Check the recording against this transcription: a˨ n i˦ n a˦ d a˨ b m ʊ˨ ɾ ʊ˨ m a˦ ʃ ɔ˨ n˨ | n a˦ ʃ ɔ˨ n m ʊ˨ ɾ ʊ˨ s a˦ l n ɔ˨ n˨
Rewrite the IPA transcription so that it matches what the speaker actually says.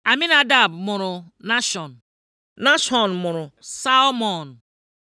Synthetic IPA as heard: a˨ m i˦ n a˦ d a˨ b m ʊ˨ ɾ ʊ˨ n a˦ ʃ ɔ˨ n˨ | n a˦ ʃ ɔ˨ n m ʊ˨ ɾ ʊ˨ s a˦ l m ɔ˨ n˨